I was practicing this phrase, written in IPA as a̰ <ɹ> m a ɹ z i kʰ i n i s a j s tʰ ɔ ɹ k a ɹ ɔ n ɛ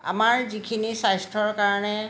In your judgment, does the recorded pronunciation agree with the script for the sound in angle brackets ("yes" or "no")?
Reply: no